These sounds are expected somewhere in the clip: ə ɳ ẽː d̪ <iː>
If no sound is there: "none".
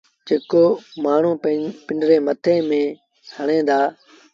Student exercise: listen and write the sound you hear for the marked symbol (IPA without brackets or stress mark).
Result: aː